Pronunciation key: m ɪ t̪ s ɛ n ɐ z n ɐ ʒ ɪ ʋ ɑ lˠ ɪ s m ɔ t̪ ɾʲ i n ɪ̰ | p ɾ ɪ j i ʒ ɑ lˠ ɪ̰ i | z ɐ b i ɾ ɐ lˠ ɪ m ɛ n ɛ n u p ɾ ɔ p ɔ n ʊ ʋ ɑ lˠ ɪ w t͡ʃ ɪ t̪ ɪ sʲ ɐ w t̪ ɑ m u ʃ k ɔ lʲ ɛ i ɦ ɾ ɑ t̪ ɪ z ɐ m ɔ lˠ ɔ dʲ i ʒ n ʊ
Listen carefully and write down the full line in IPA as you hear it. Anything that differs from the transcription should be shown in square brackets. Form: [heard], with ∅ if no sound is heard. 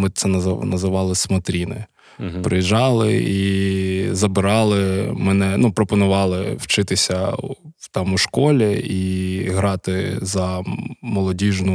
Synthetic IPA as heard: m ɪ t̪ s ɛ n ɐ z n ɐ [z] ɪ ʋ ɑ lˠ ɪ s m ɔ t̪ ɾʲ i n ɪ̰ | p ɾ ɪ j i ʒ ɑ lˠ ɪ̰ i | z ɐ b [ɪ] ɾ [ɑ] lˠ ɪ m ɛ n ɛ n u p ɾ ɔ p ɔ n ʊ ʋ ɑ lˠ ɪ w t͡ʃ ɪ t̪ ɪ sʲ ɐ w t̪ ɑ m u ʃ k ɔ lʲ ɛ i ɦ ɾ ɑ t̪ ɪ z ɐ m ɔ lˠ ɔ dʲ i ʒ n ʊ